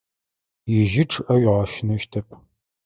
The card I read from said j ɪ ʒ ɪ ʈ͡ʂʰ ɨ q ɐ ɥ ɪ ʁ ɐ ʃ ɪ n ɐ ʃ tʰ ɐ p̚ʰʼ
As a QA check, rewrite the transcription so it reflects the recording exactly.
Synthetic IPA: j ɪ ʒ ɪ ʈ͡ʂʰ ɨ ʔ ɐ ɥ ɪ ʁ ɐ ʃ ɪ n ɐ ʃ tʰ ɐ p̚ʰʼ